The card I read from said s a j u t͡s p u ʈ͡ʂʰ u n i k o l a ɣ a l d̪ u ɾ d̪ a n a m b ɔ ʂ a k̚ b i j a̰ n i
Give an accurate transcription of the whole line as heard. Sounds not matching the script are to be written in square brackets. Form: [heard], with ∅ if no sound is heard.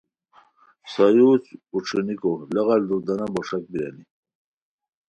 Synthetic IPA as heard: s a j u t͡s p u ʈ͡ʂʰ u n i k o l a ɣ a l d̪ u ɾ d̪ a n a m b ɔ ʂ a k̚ b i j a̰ n i